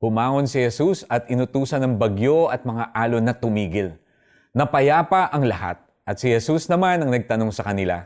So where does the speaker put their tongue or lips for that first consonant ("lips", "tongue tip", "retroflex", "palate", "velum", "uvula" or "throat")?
throat